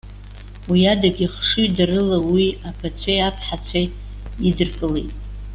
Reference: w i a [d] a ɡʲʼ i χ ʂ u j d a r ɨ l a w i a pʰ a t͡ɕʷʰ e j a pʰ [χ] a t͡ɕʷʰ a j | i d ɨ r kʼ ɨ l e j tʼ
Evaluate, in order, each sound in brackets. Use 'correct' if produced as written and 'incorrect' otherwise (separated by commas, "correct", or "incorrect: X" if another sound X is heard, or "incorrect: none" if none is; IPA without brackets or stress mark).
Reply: correct, incorrect: ħ